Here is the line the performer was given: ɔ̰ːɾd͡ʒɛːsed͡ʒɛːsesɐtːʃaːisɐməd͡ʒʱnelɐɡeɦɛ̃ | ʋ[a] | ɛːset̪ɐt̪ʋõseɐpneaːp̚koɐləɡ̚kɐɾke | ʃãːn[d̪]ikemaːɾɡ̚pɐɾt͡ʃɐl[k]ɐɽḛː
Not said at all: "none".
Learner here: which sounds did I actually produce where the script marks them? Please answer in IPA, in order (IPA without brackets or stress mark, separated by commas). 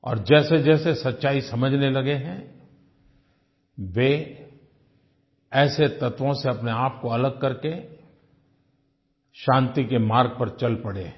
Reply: e, t̪, p